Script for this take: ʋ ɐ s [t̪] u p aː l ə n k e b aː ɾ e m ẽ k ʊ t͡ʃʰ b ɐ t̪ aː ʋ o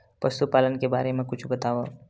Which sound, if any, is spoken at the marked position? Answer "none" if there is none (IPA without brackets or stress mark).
t̪